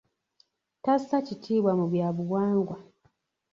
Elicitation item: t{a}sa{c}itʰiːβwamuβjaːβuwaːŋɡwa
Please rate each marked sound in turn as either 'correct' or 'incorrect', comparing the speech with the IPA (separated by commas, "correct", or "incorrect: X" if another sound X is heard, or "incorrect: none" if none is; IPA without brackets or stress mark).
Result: correct, correct